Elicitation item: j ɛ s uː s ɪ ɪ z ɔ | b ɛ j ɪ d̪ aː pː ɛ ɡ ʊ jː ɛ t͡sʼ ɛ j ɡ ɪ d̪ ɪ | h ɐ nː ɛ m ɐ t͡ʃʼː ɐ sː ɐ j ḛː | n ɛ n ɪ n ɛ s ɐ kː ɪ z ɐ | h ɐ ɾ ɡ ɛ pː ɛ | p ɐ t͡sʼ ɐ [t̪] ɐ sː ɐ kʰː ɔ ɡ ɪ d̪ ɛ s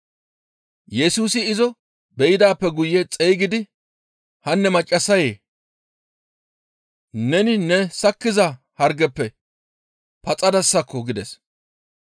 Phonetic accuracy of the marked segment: incorrect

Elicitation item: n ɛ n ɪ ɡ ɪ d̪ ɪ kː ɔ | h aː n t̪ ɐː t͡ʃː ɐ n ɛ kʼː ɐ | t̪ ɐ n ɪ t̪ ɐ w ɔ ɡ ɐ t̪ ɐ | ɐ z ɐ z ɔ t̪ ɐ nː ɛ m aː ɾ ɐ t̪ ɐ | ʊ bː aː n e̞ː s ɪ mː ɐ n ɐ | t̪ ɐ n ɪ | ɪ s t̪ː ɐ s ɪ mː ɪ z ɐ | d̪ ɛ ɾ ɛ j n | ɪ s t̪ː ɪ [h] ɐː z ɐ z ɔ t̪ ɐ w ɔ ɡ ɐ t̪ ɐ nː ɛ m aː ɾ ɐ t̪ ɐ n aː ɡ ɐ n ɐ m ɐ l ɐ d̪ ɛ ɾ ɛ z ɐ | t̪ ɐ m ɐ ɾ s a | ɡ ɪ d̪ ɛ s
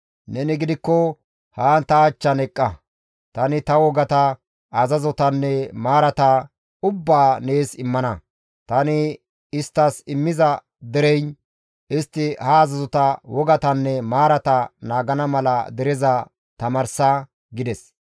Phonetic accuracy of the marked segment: correct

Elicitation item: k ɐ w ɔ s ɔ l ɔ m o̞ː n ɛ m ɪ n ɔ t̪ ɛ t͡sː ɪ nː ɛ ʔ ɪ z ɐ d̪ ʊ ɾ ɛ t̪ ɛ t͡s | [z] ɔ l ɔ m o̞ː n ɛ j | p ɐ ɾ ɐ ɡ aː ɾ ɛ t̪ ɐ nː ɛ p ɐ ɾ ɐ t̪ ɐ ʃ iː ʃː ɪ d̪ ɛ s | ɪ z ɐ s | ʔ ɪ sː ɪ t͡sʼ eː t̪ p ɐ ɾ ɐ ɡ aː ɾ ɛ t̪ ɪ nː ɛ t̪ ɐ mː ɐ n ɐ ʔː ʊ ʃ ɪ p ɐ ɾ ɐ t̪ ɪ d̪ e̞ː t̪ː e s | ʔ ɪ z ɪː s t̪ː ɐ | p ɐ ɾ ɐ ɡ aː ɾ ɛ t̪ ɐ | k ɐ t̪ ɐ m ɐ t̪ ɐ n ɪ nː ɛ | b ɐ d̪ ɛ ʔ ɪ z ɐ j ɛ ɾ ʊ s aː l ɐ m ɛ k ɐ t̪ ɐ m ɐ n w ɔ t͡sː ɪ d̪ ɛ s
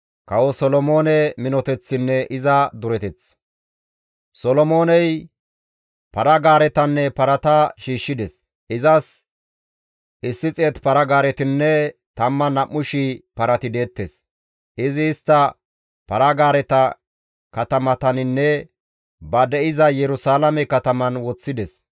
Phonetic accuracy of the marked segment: incorrect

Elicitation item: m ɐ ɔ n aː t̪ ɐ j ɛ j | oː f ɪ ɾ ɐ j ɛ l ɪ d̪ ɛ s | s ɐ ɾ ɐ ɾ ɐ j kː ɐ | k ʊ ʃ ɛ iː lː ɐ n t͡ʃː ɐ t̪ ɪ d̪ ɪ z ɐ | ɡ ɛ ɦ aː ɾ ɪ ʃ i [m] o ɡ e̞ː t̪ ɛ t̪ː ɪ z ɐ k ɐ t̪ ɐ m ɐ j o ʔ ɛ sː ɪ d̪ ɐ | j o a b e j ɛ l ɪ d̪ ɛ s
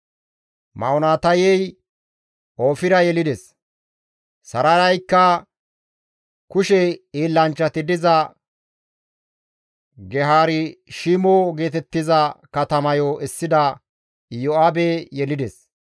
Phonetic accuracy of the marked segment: correct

